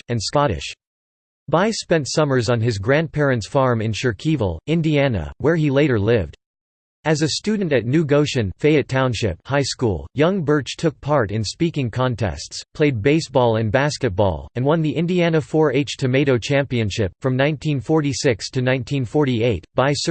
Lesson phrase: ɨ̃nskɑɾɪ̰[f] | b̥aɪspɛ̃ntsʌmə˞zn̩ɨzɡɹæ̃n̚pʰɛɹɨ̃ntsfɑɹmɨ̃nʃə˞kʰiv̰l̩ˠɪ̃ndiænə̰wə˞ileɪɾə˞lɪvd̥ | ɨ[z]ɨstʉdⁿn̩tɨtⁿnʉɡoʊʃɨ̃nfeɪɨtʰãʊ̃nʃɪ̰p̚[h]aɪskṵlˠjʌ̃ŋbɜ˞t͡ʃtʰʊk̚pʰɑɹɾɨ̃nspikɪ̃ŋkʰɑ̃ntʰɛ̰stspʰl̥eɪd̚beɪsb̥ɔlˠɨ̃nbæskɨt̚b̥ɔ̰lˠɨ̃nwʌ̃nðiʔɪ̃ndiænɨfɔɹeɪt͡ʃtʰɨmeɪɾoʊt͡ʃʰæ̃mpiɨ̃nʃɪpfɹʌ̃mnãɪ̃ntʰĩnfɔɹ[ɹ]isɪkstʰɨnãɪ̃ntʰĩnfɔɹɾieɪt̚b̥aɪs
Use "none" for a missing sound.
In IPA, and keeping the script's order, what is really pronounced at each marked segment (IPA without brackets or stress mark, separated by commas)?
ʃ, z, h, ɾ